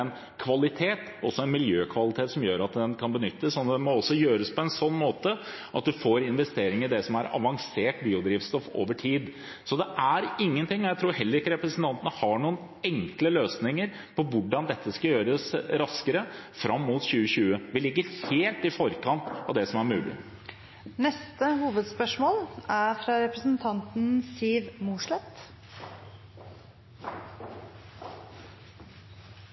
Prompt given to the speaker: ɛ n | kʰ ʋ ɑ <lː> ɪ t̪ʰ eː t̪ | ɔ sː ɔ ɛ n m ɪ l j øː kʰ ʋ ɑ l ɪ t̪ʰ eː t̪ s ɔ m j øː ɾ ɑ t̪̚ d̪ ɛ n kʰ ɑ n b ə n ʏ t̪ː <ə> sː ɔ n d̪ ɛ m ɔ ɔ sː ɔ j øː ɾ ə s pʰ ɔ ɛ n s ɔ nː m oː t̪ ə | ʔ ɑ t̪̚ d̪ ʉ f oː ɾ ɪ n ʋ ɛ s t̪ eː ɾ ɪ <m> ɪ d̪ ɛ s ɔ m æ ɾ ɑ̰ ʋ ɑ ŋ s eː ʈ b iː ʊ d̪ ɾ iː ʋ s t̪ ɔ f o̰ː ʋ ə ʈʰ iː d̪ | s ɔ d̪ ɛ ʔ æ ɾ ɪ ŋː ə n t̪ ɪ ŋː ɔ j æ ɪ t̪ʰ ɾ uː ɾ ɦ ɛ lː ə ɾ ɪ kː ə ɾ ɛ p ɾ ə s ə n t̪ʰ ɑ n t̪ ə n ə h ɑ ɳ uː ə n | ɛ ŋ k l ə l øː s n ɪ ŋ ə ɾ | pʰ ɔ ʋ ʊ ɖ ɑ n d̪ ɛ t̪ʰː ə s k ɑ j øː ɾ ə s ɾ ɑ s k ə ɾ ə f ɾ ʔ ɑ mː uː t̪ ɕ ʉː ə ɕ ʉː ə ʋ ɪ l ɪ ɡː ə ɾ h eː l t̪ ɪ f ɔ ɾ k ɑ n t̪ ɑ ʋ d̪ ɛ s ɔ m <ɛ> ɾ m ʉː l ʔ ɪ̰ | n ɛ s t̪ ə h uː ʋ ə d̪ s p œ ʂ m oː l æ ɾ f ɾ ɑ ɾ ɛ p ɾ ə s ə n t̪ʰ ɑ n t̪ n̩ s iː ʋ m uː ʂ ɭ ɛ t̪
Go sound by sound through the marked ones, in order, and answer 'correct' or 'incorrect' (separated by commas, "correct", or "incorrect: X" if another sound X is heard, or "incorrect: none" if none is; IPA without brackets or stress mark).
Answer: incorrect: l, correct, incorrect: ŋ, incorrect: æ